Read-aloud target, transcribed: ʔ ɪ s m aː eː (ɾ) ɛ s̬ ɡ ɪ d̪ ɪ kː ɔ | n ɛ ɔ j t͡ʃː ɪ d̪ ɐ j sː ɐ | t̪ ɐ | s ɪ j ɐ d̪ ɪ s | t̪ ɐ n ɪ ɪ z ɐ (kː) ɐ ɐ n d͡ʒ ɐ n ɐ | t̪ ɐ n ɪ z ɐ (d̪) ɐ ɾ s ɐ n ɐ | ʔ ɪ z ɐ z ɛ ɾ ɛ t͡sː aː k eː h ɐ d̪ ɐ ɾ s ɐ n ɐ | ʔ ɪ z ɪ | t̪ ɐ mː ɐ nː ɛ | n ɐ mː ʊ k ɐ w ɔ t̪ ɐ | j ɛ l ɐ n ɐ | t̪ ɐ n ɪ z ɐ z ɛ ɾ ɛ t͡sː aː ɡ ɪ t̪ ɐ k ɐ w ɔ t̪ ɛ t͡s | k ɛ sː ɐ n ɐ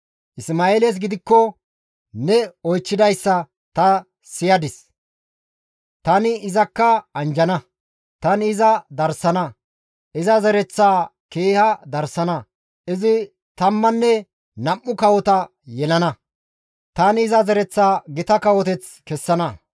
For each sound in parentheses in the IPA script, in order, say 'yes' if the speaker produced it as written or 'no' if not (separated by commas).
no, yes, yes